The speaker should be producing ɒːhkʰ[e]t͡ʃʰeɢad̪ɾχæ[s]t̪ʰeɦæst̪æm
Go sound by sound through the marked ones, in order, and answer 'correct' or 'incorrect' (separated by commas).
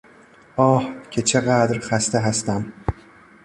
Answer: correct, correct